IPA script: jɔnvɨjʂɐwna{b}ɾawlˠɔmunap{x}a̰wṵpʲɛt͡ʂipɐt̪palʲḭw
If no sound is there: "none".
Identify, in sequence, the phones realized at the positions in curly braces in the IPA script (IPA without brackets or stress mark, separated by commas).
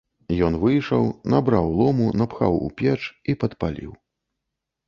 b, x